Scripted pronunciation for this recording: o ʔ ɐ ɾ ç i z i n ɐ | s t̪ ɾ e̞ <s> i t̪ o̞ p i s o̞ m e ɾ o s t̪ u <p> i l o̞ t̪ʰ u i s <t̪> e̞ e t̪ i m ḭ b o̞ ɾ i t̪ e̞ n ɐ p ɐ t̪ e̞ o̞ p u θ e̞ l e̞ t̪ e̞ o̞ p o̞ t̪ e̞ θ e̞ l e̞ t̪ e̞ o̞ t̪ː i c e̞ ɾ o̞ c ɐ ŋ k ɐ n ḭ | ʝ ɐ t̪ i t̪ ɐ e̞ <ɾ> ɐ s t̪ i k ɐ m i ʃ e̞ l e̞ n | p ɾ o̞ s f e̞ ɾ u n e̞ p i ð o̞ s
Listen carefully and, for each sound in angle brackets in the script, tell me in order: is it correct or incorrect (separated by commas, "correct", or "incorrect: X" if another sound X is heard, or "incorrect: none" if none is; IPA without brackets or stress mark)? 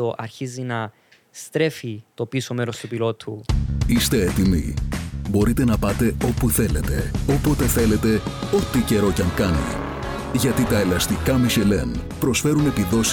incorrect: f, correct, correct, incorrect: l